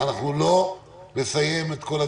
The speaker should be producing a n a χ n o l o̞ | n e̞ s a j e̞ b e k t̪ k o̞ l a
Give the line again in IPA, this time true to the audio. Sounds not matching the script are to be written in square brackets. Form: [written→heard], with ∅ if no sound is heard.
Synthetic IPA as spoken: a n a χ n [o→u] l o̞ | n e̞ s a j e̞ [b→m] e [k→∅] t̪ k o̞ l a